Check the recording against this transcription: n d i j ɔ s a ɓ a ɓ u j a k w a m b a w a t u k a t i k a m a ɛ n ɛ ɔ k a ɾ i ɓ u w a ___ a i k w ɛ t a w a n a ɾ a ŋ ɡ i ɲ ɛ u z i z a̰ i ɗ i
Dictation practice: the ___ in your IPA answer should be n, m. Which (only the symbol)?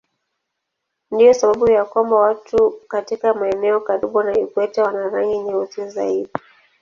n